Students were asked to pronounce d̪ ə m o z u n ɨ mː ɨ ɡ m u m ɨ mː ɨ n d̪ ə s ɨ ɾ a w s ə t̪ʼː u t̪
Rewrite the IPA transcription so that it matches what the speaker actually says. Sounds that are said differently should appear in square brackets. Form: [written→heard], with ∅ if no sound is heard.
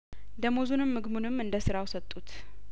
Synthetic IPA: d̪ ə m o z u n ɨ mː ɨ ɡ m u [m→n] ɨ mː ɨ n d̪ ə s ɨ ɾ a w s ə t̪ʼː u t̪